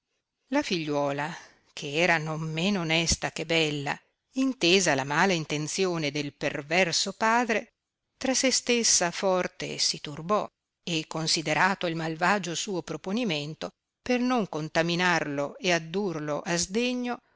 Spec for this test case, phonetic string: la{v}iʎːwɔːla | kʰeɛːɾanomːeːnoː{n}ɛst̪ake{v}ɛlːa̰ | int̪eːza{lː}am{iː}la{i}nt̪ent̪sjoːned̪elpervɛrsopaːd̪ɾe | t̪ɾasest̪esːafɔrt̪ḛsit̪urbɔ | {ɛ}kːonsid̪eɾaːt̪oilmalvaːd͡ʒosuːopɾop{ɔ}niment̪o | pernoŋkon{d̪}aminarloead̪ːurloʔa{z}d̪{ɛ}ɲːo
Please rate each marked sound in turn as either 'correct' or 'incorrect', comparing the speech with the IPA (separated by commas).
incorrect, correct, incorrect, incorrect, incorrect, correct, incorrect, incorrect, incorrect, correct, incorrect